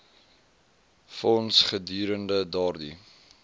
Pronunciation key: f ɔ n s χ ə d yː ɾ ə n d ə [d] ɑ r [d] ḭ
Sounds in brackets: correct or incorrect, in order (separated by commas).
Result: correct, correct